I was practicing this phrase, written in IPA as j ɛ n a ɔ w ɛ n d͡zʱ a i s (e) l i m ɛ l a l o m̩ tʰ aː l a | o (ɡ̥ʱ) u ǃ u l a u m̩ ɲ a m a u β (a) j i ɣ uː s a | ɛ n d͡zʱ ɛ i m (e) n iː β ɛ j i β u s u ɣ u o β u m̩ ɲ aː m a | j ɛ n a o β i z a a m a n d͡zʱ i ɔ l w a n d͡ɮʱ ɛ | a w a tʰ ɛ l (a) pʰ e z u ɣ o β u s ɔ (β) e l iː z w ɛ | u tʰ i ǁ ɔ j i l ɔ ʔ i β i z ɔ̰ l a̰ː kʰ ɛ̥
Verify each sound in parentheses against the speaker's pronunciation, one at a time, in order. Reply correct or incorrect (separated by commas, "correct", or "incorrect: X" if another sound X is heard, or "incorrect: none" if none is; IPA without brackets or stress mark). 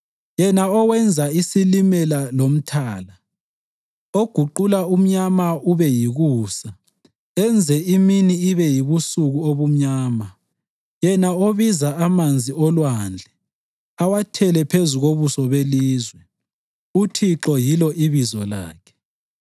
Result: incorrect: i, correct, incorrect: ɛ, incorrect: i, incorrect: ɛ, correct